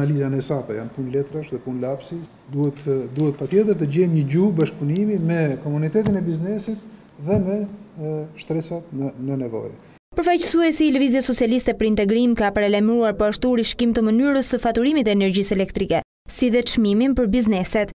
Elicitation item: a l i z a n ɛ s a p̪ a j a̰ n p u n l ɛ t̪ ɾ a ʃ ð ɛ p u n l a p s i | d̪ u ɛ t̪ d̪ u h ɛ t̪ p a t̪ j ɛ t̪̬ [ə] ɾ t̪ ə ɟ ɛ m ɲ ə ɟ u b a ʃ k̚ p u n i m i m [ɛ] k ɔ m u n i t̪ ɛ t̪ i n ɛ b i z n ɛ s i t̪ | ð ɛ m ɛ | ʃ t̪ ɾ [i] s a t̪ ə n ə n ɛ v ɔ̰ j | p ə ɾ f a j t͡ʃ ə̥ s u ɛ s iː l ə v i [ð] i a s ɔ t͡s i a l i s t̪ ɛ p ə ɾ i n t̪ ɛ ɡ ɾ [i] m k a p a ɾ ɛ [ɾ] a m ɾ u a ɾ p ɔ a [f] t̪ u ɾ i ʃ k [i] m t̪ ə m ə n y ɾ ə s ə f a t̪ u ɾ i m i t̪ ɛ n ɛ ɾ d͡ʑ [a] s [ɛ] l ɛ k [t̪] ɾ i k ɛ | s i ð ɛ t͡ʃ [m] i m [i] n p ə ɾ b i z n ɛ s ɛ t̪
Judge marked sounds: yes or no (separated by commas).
yes, yes, no, no, yes, no, no, yes, no, yes, yes, yes, yes